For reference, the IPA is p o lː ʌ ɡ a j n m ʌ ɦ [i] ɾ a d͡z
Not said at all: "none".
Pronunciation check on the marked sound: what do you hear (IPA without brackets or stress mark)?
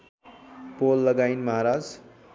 a